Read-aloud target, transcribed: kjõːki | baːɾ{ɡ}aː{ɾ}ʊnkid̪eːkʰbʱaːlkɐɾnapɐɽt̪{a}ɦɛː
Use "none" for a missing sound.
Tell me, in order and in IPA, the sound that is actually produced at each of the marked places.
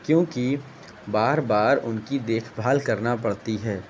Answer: b, ɾ, i

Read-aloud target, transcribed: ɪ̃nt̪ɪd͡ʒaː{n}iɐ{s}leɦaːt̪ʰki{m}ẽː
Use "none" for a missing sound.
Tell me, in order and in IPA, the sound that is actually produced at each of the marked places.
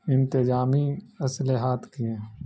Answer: m, s, none

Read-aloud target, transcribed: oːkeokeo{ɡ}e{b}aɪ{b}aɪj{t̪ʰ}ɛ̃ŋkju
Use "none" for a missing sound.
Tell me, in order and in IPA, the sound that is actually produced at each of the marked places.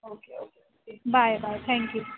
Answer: k, b, b, t̪ʰ

